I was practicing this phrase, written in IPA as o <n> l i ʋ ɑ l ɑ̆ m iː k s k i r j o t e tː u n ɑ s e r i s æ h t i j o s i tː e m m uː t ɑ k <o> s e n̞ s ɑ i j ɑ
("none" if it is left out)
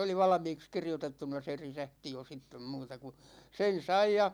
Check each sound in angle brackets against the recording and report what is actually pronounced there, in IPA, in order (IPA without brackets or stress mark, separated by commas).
none, u